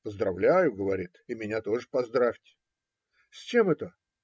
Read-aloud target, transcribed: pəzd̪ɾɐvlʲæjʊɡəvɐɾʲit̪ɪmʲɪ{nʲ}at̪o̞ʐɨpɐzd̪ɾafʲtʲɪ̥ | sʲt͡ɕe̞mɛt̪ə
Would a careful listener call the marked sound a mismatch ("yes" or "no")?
no